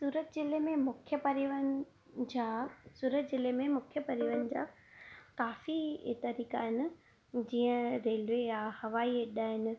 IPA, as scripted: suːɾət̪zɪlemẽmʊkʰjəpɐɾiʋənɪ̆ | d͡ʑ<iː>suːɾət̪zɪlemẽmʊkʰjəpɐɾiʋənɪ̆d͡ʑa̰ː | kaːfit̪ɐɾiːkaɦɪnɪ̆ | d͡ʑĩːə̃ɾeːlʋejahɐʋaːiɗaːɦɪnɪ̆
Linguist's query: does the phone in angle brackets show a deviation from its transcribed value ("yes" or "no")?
yes